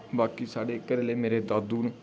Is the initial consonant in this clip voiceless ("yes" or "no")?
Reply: no